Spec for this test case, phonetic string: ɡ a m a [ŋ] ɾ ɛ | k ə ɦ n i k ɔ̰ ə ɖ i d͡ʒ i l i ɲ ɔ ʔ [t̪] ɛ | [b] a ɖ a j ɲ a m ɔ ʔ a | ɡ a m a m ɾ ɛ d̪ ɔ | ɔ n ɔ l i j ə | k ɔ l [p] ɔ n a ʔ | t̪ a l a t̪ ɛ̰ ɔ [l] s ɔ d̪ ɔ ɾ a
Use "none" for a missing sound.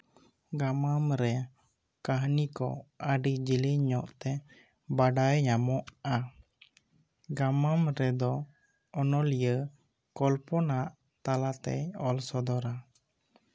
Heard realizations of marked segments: m, t̪, b, p, l

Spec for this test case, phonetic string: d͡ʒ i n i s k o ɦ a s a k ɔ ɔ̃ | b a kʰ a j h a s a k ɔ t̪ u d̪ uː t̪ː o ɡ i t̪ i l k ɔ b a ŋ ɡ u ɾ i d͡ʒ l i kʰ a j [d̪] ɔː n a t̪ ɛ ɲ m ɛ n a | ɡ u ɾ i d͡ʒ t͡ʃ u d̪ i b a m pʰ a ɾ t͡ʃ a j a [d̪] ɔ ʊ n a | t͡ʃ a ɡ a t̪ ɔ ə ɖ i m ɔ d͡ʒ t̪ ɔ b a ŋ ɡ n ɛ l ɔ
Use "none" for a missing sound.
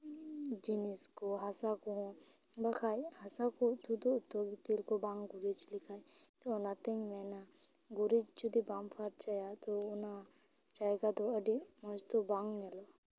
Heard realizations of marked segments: t̪, t̪

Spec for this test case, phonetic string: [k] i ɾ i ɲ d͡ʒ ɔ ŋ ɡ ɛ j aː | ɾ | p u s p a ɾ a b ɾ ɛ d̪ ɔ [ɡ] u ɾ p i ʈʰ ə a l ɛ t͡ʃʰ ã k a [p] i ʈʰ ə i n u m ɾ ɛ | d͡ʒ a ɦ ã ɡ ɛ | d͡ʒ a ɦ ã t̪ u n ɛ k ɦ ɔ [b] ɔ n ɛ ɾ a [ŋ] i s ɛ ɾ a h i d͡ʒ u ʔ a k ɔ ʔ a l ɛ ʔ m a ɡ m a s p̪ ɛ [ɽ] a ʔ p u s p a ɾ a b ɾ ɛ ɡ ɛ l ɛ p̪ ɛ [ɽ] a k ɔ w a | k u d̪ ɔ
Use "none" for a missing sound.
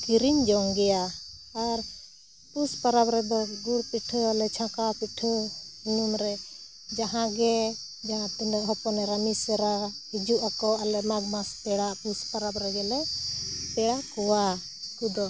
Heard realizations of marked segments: k, ɡ, p, p, m, ɽ, ɽ

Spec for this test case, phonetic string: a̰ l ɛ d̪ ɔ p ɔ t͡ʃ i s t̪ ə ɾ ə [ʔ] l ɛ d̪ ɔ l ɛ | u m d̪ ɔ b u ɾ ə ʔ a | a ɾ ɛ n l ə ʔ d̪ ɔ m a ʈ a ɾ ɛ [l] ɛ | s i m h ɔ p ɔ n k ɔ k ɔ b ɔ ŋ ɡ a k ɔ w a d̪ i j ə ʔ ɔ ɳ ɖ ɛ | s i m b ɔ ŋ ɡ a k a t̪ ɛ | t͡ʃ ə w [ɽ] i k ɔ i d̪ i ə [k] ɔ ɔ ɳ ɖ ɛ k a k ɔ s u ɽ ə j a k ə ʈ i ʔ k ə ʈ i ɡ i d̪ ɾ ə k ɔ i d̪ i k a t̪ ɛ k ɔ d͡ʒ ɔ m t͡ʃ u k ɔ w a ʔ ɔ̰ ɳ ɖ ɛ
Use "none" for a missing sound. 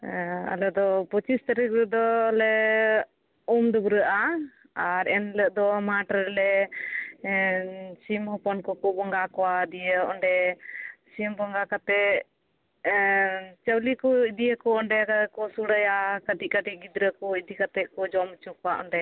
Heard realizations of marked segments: k, l, l, k

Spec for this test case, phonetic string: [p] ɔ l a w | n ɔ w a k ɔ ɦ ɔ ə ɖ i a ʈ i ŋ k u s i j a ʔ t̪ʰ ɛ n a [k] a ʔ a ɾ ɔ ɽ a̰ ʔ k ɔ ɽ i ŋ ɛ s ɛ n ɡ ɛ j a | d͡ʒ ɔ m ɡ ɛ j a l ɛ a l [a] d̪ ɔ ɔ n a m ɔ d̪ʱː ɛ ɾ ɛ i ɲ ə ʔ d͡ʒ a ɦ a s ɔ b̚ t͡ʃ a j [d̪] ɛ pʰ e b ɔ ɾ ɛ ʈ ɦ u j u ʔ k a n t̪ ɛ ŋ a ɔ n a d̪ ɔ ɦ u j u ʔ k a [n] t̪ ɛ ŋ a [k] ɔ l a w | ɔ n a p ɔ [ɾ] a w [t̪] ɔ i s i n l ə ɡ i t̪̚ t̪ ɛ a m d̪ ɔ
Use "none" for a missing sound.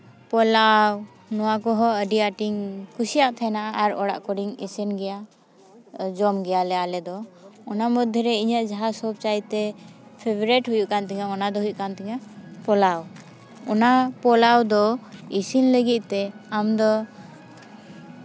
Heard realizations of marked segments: p, ʔ, ɛ, t̪, n, p, l, d̪

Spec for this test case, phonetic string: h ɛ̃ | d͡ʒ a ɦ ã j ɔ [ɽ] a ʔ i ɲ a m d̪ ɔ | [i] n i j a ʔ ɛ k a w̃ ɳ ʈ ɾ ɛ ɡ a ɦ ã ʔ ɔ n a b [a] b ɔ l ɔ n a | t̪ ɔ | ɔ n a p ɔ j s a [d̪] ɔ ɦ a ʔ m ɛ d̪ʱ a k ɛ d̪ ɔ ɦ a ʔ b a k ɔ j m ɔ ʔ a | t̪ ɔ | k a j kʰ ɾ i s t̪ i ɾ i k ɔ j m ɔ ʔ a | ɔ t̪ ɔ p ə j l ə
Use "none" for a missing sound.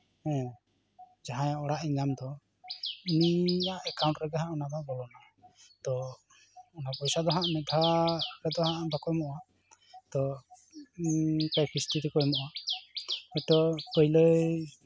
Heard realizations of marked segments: ɽ, i, a, d̪

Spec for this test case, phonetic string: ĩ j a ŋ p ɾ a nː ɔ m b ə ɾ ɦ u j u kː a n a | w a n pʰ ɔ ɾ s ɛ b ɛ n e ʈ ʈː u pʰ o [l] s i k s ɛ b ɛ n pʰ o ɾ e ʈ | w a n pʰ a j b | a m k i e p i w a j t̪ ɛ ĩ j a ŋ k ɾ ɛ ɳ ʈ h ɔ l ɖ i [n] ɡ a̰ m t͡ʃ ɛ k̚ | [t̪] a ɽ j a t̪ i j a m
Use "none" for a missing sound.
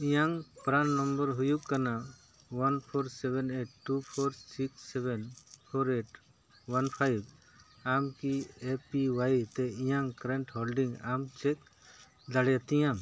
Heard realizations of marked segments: ɾ, ŋ, d̪

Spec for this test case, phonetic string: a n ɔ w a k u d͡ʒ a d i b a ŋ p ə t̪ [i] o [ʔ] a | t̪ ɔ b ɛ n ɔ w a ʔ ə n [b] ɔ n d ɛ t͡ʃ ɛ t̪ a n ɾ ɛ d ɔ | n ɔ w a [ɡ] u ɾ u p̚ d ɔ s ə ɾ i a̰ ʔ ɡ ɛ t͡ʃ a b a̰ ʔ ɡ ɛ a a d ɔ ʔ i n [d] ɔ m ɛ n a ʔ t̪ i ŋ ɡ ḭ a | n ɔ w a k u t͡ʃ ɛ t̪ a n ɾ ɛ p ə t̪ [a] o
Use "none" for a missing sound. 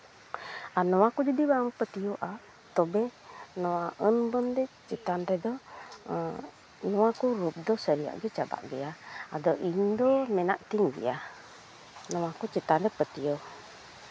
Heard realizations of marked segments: i, ʔ, b, k, d, i

